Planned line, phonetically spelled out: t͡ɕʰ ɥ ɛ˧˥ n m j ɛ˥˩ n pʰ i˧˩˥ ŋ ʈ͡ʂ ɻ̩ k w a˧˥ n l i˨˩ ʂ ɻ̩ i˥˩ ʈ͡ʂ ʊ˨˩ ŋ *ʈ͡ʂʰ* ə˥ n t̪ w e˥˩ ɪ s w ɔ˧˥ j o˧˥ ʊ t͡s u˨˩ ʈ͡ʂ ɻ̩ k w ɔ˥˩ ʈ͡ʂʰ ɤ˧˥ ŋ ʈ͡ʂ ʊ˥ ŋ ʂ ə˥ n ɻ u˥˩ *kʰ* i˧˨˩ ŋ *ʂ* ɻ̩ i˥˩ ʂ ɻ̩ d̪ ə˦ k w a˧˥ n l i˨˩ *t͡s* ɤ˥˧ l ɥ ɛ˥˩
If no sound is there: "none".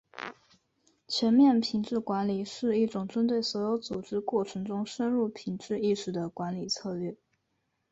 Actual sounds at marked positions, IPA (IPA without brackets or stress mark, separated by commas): ʈ͡ʂ, pʰ, ʈ͡ʂ, t͡sʰ